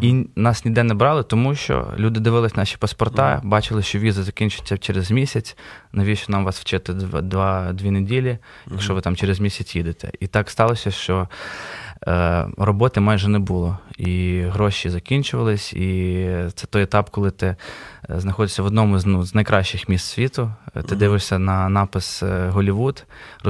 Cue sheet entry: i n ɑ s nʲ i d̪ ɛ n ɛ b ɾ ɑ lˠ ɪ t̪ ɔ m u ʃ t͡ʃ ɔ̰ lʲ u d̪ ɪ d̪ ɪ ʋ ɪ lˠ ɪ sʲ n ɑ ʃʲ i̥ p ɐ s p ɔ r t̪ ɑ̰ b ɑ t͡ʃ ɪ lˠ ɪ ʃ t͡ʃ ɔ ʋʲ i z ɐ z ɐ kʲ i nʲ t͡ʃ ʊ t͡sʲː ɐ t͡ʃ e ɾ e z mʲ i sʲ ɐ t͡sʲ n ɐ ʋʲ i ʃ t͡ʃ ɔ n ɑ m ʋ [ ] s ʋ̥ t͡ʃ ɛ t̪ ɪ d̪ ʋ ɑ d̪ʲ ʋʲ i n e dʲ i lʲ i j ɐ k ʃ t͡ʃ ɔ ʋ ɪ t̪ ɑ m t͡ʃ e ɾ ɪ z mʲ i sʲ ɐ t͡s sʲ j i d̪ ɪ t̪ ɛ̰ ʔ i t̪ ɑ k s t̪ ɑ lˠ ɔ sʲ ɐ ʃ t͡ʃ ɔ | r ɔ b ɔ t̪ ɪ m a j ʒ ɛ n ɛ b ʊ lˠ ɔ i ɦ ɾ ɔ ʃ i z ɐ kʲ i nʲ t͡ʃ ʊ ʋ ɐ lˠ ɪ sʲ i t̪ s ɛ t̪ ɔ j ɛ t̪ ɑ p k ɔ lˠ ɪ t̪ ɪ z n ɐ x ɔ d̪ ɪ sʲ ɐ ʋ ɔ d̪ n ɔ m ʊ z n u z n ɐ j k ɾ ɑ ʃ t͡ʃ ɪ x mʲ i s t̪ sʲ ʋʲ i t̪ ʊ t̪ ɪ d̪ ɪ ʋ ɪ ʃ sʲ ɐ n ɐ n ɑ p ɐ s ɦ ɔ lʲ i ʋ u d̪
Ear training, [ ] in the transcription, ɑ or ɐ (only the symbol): ɑ